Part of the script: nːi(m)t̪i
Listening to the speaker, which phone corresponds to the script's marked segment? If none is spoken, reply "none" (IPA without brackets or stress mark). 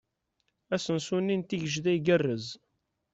n